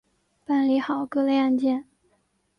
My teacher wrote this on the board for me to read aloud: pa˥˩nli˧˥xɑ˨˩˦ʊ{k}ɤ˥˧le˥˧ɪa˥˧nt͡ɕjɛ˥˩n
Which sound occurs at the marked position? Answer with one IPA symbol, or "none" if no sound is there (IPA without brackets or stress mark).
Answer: k